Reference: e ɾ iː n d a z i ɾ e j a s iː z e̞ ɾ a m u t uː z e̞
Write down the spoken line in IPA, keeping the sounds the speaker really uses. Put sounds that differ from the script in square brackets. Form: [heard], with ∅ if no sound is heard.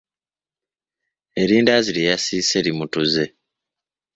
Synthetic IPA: e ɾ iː n d a z i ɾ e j a s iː [s] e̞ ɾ [i] m u t [u] z e̞

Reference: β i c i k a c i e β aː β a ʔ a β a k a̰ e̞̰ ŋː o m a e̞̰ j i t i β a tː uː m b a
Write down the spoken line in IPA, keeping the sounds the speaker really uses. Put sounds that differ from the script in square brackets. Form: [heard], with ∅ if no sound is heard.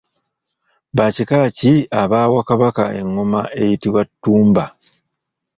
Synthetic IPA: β [a] c i k a c i [a] β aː [w] a [k] a β a k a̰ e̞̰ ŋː o m a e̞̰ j i t i [w] a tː uː m b a

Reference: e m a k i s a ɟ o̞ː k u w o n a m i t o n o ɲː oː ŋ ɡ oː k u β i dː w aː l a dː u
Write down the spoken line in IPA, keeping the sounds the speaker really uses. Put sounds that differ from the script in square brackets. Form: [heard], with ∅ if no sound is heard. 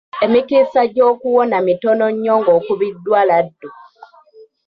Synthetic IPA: e m [i] k i s a ɟ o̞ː k u w o n a m i t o n o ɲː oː ŋ ɡ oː k u β i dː w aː l a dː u

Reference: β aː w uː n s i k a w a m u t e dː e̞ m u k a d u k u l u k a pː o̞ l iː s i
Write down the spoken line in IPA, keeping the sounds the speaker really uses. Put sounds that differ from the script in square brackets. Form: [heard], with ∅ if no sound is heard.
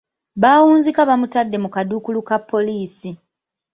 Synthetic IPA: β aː w uː n [z] i k a [β] a m u t [a] dː e̞ m u k a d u k u l u k a pː o̞ l iː s i

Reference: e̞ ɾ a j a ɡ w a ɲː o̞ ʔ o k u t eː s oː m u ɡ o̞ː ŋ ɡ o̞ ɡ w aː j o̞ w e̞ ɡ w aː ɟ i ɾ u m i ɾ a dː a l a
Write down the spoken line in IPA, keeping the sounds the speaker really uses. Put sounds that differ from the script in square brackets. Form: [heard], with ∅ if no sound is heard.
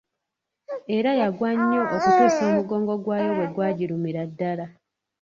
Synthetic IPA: e̞ ɾ a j a ɡ w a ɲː o̞ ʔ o k u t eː s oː m u ɡ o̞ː ŋ ɡ o̞ ɡ w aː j o̞ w e̞ ɡ w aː ɟ i ɾ u m i ɾ a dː a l a

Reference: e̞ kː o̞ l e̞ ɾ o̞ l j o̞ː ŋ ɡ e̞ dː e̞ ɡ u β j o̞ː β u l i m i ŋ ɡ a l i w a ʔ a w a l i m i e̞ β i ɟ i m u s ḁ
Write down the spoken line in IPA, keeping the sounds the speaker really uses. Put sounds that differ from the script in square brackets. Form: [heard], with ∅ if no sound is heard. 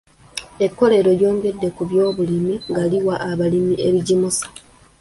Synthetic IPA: e̞ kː o̞ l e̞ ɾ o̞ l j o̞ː ŋ ɡ e̞ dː e̞ [k] u β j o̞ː β u l i m i ŋ ɡ a l i w a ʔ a [β] a l i m i e̞ β i ɟ i m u s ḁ

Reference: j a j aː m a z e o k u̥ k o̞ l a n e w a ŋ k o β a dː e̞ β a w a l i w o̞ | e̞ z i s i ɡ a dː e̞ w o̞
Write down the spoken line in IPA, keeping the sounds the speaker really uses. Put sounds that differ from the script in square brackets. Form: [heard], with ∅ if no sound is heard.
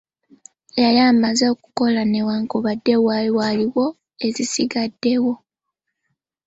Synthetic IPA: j a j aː m a z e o k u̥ k o̞ l a n e w a ŋ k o β a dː e̞ [w] a w a l i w o̞ | e̞ z i s i ɡ a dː e̞ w o̞

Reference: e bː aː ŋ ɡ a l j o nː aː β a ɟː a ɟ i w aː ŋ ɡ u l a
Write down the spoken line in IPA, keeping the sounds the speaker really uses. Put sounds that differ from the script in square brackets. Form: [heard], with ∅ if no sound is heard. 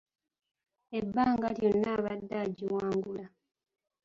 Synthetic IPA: e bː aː ŋ ɡ a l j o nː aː β a [dː] a ɟ i w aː ŋ ɡ u l a

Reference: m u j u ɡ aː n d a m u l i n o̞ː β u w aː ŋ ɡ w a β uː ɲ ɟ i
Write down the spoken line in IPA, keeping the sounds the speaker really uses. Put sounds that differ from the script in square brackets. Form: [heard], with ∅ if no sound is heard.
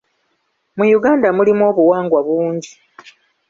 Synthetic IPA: m u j u ɡ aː n d a m u l i [m] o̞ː β u w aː ŋ ɡ w a β uː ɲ ɟ i

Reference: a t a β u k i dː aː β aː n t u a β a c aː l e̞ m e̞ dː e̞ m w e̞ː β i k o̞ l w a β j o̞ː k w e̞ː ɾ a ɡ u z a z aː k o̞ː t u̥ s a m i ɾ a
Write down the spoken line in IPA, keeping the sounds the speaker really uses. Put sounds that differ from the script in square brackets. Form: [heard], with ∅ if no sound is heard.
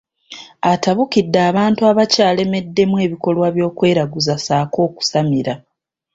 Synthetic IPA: a t a β u k i dː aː β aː n t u a β a c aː l e̞ m e̞ dː e̞ m w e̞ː β i k o̞ l w a β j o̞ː k w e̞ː ɾ a ɡ u z a [s] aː k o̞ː [k] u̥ s a m i ɾ a

